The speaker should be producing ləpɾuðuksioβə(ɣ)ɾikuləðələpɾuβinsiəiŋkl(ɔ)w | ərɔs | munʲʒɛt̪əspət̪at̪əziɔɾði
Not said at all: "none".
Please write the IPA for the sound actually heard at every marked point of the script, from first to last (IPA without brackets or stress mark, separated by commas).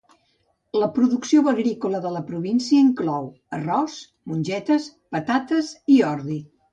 ɣ, ɔ